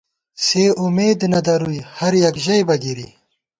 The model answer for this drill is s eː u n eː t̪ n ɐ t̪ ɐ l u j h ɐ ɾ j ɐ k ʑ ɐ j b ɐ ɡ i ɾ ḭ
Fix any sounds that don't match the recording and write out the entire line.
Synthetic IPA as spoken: s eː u m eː d̪ n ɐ d̪ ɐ ɾ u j h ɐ ɾ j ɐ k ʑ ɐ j b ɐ ɡ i ɾ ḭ